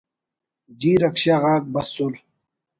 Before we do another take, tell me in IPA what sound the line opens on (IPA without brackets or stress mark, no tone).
d͡ʑ